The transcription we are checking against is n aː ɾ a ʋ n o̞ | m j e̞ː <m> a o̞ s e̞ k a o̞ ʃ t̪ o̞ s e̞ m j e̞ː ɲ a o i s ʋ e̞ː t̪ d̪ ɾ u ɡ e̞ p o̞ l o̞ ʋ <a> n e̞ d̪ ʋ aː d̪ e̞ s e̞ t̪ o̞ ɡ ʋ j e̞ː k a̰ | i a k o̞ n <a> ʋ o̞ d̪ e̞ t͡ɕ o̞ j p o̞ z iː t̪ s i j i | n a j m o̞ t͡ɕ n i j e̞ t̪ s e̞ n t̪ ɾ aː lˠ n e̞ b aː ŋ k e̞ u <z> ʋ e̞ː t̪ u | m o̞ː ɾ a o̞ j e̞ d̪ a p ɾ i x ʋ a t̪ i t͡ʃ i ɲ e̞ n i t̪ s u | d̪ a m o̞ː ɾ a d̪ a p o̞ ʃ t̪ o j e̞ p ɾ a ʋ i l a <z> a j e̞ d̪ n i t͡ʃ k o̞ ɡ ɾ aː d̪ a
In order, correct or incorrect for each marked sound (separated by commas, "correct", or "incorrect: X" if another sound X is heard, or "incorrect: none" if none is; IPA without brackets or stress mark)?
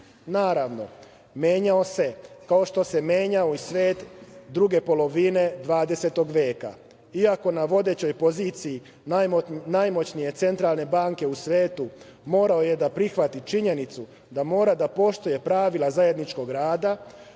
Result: incorrect: ɲ, incorrect: i, correct, incorrect: s, correct